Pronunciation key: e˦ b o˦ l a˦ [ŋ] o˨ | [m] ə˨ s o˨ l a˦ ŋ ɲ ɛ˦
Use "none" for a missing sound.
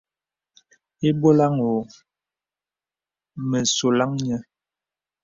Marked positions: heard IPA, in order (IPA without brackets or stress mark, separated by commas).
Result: ŋ, m